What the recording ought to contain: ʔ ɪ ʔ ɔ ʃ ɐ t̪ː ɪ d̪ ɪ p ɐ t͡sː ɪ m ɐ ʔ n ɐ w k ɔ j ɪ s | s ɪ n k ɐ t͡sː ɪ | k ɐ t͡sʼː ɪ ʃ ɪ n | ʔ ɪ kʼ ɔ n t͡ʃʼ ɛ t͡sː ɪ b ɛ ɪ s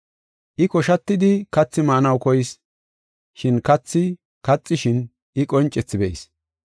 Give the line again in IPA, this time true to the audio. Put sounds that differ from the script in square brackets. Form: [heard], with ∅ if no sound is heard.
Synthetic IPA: ʔ ɪ [k] ɔ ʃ ɐ t̪ː ɪ d̪ ɪ [k] ɐ t͡sː ɪ m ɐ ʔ n ɐ w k ɔ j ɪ s | [ʃ] ɪ n k ɐ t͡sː ɪ | k ɐ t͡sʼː ɪ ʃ ɪ n | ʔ ɪ kʼ ɔ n t͡ʃʼ ɛ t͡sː ɪ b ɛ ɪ s